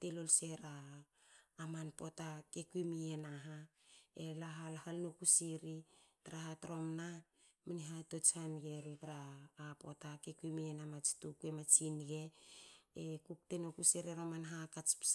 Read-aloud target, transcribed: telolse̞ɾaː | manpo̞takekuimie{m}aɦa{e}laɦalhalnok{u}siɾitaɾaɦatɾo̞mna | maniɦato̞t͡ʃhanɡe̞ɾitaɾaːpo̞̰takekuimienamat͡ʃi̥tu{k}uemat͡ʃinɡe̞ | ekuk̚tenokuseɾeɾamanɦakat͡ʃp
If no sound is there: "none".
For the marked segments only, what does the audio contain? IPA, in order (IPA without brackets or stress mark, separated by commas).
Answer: n, e, u, k